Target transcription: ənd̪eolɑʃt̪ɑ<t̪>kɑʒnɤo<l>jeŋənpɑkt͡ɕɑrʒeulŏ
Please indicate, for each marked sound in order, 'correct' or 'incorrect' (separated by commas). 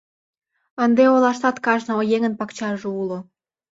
correct, incorrect